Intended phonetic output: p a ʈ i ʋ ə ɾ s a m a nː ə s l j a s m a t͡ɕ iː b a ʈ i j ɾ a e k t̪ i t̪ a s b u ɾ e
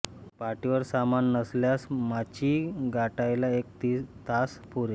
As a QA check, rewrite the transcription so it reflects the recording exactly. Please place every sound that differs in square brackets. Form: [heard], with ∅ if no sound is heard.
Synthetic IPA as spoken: p a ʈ i ʋ ə ɾ s a m a nː ə s l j a s m a t͡ɕ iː [ɡ] a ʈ [a] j [l] a e k t̪ i t̪ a s [p] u ɾ e